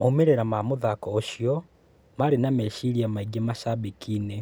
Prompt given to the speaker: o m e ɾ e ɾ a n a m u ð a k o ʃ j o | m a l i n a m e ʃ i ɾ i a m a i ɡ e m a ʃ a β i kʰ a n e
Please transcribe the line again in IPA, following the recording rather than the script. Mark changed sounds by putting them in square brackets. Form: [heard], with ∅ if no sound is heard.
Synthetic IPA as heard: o m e ɾ e ɾ a [m] a m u ð a k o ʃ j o | m a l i n a m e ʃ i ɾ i a m a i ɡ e m a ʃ a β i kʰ [i] n e